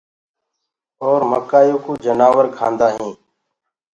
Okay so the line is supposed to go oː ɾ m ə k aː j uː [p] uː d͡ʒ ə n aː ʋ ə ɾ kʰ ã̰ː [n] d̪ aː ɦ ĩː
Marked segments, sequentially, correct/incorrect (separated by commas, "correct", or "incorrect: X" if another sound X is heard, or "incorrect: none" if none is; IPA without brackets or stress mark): incorrect: k, correct